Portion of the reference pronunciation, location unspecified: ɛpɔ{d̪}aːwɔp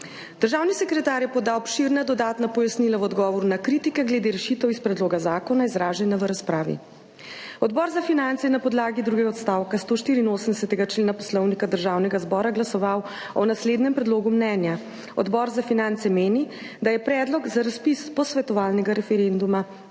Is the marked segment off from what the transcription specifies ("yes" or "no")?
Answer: no